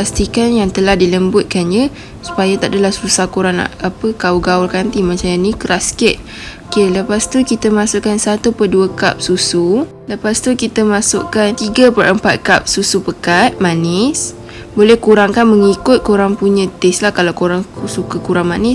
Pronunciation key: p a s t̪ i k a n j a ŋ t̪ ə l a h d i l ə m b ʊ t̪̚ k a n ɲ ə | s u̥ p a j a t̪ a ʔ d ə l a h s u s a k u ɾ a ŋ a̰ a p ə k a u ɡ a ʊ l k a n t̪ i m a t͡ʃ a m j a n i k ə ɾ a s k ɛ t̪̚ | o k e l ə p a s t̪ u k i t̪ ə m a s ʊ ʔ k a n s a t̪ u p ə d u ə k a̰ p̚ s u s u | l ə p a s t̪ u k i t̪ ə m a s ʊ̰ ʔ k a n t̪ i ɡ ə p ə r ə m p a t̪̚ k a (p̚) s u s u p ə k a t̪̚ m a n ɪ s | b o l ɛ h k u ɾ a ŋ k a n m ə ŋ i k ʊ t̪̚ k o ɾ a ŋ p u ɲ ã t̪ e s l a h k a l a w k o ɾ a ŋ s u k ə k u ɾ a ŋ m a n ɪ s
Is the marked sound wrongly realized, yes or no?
no